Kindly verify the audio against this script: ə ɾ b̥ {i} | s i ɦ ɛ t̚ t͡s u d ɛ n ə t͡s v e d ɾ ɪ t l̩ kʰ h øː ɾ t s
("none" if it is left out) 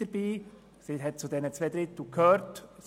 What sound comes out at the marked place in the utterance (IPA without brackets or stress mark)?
iː